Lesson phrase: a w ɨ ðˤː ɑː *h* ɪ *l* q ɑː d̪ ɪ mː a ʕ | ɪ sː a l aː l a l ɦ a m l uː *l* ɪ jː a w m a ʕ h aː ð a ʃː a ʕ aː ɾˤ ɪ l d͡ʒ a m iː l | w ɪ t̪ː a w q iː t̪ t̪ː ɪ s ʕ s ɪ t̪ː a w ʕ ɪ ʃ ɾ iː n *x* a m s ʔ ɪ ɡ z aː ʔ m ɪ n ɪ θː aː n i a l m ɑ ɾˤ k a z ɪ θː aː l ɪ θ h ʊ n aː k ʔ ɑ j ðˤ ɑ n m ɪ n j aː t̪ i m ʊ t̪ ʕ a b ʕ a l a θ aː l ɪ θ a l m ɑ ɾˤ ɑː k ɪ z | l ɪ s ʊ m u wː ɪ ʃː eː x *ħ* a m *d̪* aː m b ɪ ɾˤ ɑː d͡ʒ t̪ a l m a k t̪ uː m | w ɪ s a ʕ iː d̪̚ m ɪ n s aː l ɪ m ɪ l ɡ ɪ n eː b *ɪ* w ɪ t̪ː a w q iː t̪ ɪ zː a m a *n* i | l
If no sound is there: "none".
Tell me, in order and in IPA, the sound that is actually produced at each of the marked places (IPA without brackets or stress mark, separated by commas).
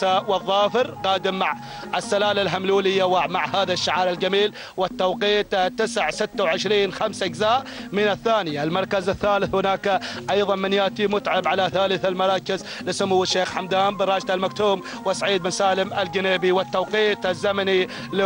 f, ɾ, l, x, ħ, d̪, i, n